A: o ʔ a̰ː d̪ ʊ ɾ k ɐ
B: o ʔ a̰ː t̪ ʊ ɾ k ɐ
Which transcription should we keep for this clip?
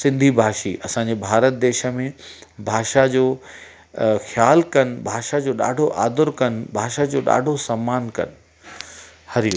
A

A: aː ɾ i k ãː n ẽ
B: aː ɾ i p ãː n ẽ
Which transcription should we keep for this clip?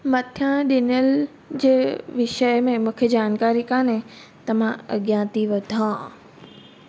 A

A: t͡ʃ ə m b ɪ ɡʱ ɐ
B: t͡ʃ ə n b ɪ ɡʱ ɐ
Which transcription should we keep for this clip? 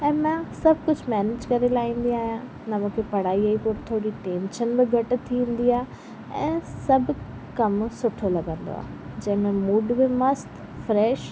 B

